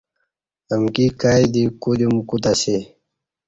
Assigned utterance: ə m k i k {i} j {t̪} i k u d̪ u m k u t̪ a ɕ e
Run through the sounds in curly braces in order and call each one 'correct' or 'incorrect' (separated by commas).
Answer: incorrect, incorrect